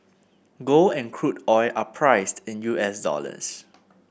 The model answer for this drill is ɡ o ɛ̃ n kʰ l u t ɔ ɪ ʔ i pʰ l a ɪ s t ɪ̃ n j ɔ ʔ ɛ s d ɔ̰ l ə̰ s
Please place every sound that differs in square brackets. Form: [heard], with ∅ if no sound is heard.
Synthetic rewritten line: ɡ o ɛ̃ n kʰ [ɹ] u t ɔ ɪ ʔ [a] pʰ [ɹ] a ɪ s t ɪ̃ n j [u] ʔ ɛ s d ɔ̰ l ə̰ s